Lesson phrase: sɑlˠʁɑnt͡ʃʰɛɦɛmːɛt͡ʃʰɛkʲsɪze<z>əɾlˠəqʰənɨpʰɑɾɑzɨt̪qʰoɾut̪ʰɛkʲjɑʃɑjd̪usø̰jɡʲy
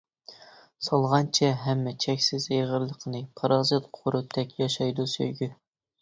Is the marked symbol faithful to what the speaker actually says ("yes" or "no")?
no